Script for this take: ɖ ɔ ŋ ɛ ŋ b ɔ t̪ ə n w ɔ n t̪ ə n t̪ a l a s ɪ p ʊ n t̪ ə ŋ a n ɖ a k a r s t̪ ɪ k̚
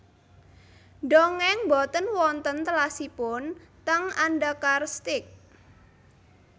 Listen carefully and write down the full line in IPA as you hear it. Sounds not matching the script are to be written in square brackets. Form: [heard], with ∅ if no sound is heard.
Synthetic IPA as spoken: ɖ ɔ ŋ ɛ ŋ b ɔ t̪ ə n w ɔ n t̪ ə n t̪ [ə] l a s [i] p ʊ n t̪ ə ŋ a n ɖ a k a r s t̪ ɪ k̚